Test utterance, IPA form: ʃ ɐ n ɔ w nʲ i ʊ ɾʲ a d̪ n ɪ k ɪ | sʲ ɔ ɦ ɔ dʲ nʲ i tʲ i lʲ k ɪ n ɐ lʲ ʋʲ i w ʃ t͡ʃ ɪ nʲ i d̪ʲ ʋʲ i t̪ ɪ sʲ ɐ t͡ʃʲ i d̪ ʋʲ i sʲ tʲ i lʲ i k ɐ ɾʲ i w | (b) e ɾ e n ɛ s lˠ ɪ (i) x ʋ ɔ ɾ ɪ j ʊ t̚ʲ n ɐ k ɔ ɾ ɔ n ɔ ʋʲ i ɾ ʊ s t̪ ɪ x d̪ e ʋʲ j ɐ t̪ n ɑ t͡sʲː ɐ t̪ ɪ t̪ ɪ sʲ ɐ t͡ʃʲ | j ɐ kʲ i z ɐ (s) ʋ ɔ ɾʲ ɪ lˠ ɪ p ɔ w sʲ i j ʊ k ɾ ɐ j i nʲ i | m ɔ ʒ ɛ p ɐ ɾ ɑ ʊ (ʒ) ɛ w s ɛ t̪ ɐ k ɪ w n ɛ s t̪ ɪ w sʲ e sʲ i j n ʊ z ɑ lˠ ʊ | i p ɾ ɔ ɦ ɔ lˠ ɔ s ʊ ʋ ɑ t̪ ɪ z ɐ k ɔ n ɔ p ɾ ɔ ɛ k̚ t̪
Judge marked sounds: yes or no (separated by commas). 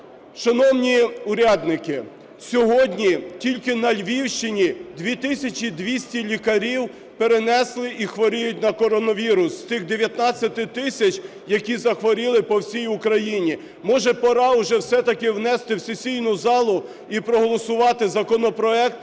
no, yes, no, yes